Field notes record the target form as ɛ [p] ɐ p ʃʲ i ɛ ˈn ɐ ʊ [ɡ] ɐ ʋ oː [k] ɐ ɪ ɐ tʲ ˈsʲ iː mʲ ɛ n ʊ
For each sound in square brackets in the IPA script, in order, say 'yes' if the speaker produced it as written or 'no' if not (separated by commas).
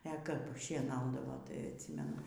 no, no, no